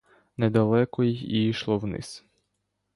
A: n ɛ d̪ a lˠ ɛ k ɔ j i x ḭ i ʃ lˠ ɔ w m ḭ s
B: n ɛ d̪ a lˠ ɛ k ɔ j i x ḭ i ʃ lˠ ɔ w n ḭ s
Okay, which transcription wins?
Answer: B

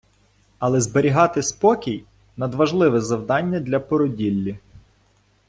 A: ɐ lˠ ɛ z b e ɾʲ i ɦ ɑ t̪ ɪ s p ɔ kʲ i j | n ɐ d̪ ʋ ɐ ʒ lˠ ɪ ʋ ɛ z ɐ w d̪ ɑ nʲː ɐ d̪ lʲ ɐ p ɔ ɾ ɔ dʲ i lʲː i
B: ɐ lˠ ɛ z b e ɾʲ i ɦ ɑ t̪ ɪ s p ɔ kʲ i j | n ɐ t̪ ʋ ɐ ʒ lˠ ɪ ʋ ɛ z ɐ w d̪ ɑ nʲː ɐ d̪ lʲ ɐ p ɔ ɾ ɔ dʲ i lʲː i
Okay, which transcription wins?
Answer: A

